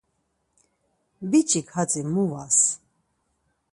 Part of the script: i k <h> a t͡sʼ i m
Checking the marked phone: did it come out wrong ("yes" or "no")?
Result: no